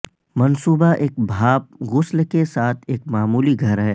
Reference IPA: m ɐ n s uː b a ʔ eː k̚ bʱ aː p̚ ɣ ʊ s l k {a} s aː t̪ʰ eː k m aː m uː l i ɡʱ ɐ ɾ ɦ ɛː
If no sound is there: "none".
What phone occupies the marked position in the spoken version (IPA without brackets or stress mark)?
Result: e